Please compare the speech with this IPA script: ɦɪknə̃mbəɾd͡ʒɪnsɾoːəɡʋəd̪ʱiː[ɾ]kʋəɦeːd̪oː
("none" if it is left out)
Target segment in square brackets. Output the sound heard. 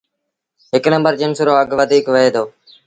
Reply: none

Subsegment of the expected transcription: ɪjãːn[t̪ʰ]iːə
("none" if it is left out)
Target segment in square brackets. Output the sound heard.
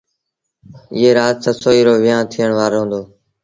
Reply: t̪ʰ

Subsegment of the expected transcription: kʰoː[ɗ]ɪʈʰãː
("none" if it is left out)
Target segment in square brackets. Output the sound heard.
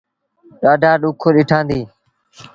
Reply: ɗ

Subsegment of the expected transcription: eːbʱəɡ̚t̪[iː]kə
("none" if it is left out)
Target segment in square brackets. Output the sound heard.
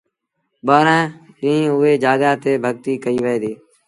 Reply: iː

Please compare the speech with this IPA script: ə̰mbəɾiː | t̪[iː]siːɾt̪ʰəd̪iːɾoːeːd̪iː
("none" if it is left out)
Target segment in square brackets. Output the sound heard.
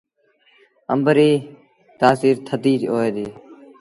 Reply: aː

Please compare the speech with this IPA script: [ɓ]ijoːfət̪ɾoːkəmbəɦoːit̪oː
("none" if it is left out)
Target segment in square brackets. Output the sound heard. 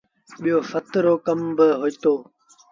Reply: ɓ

